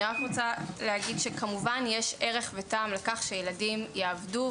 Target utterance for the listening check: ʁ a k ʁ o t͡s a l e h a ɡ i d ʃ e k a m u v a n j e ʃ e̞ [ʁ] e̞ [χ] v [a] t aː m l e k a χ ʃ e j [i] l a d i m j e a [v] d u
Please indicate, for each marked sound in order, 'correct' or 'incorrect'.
correct, correct, incorrect: e, incorrect: e, correct

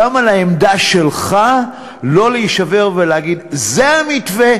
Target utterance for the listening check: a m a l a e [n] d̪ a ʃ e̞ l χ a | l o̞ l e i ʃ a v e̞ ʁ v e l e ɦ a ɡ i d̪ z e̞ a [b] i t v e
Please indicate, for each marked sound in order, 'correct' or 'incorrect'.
incorrect: m, incorrect: m

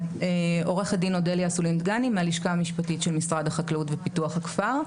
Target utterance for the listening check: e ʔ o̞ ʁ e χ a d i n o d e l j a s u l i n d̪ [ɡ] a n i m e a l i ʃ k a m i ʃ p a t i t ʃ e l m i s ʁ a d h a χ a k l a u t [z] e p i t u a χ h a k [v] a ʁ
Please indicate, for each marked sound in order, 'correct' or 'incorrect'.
correct, incorrect: v, incorrect: f

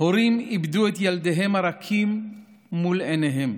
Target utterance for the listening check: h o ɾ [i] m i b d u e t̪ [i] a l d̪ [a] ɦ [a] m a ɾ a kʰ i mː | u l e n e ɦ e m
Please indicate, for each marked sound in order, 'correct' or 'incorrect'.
correct, incorrect: j, incorrect: e, incorrect: e

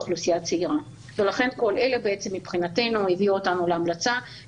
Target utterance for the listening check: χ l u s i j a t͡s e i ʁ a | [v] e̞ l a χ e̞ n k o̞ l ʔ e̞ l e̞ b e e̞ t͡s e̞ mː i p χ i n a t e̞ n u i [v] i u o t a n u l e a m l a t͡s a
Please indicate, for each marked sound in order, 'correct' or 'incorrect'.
correct, correct

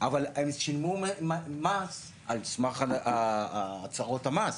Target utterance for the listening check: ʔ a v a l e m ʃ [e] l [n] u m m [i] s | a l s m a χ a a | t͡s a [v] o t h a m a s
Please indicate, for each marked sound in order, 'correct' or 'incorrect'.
incorrect: i, incorrect: m, incorrect: a, incorrect: ʁ

